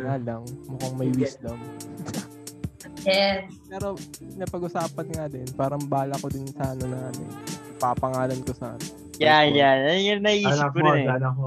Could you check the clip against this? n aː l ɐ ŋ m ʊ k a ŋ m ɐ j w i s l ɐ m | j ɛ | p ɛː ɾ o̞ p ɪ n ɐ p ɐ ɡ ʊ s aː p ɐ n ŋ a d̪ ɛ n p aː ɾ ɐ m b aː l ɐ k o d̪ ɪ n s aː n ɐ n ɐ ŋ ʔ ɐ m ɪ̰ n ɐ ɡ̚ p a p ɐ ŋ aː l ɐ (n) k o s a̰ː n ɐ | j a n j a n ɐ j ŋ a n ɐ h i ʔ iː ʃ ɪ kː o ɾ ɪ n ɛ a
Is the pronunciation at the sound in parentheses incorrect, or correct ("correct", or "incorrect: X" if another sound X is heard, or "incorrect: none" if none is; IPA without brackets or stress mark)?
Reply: correct